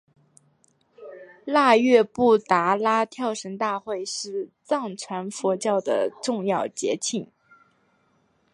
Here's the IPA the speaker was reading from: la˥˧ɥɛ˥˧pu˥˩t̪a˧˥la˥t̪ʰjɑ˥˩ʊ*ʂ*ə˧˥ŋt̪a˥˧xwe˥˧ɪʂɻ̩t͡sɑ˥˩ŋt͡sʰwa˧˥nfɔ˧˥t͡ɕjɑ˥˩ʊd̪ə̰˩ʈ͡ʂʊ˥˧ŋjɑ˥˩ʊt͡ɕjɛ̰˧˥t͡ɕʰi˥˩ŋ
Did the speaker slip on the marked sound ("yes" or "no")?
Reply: no